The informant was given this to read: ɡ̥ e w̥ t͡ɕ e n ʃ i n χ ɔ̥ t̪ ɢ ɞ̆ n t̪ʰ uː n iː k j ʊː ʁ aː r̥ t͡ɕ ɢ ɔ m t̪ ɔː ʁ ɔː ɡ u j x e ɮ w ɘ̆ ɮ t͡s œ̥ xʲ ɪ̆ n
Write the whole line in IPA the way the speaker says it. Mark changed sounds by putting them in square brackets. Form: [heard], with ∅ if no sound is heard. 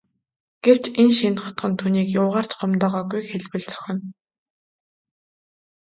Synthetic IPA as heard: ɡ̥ e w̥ t͡ɕ e n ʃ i n χ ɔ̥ t̪ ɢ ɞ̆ n t̪ʰ uː n iː k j ʊː ʁ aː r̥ t͡ɕ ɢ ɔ m t̪ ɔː ʁ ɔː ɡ u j x e ɮ w ɘ̆ ɮ t͡s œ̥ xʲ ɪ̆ n